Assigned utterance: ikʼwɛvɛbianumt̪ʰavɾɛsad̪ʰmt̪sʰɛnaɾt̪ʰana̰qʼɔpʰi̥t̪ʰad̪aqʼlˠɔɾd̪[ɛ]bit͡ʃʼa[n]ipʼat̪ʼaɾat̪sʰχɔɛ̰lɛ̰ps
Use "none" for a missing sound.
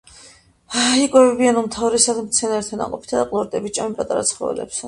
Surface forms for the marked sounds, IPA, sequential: ɛ, m

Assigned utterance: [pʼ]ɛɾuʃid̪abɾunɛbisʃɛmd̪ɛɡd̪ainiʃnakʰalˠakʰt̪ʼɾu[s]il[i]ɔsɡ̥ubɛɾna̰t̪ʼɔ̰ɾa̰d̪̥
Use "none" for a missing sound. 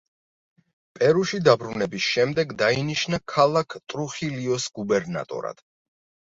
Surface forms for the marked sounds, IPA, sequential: pʼ, χ, i

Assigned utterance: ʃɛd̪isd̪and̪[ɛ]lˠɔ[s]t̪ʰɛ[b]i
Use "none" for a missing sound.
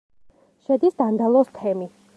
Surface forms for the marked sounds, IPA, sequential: a, s, m

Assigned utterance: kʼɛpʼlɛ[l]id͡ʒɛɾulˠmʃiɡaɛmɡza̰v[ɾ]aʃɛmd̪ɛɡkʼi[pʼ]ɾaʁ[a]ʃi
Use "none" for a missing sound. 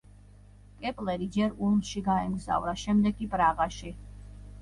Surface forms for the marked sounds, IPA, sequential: ɾ, ɾ, pʼ, a

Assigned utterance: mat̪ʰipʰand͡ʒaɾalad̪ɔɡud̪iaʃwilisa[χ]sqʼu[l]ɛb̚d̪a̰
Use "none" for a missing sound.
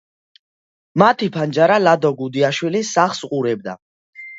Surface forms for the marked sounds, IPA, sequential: χ, ɾ

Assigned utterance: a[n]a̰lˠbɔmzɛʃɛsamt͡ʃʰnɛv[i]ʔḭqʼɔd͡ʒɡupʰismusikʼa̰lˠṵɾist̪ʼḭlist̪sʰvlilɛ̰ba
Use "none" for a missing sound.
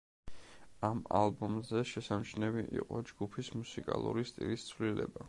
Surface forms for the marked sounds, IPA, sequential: m, i

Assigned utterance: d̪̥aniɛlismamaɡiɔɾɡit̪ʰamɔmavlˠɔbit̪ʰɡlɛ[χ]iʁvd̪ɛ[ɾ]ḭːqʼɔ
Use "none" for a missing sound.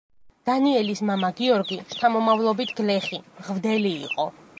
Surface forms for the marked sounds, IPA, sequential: χ, l

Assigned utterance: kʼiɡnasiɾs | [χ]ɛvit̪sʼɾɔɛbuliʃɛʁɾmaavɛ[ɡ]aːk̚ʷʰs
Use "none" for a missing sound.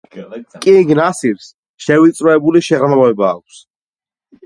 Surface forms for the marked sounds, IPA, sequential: ʃ, b

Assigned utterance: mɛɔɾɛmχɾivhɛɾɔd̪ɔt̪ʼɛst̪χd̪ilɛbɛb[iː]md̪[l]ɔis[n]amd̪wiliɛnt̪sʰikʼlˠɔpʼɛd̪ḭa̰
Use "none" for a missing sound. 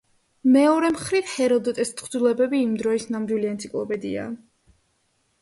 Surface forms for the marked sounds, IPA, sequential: iː, ɾ, n

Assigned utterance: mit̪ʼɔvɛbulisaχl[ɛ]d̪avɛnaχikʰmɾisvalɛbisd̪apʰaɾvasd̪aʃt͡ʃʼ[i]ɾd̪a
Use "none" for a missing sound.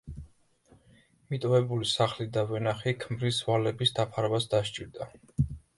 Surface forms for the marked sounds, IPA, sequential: i, i

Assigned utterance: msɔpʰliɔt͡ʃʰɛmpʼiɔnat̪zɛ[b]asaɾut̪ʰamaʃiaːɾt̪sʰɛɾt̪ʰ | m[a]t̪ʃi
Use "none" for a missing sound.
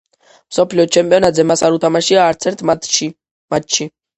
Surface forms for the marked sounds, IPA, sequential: m, a

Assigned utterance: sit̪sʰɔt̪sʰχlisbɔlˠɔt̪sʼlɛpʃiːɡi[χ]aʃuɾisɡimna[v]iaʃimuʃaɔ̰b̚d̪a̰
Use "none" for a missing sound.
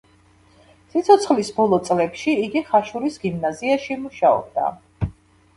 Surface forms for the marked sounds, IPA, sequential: χ, z

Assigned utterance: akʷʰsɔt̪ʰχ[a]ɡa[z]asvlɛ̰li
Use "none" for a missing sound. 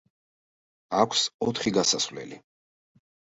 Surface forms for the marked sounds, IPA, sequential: i, s

